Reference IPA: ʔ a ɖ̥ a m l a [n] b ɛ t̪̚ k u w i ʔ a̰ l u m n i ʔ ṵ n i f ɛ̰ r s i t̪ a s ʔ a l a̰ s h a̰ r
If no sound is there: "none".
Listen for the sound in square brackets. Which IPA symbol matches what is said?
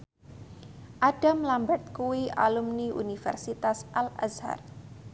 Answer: m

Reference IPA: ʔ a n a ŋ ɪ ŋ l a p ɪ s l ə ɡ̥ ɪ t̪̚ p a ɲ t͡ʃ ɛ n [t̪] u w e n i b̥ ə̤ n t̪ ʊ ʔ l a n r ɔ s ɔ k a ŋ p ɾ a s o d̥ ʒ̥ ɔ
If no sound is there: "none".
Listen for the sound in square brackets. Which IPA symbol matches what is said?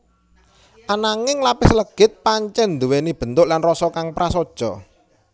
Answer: d̪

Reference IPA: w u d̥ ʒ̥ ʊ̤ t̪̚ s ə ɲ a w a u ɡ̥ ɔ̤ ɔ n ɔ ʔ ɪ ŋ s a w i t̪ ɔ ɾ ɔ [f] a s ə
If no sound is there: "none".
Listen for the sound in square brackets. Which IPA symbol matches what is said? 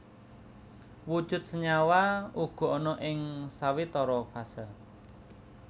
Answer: f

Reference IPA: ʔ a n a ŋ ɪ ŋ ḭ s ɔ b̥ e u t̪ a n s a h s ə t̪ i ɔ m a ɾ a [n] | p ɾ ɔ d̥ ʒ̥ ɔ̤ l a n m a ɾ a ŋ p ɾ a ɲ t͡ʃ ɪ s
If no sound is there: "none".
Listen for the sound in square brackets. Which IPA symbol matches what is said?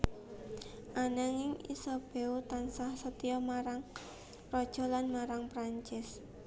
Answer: ŋ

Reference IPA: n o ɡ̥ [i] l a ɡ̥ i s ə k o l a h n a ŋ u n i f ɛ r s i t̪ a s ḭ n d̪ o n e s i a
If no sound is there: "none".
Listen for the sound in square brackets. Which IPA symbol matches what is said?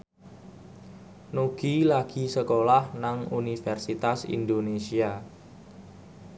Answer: i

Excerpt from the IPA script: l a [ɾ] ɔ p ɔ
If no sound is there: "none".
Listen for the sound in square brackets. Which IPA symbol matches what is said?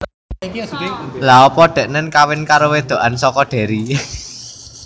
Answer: none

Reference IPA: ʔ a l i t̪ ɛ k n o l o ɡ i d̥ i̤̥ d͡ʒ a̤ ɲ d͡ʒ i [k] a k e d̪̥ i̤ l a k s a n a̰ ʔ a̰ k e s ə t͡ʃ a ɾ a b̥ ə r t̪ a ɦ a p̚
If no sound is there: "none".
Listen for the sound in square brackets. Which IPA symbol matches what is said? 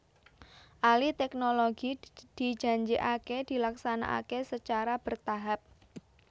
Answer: ʔ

